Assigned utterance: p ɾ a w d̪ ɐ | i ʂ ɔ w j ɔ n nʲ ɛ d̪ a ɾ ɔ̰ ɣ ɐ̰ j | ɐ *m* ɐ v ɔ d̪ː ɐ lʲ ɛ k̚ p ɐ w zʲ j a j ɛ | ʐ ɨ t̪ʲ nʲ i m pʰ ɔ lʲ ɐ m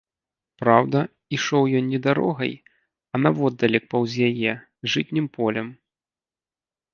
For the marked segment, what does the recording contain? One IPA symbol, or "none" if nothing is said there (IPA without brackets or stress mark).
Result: n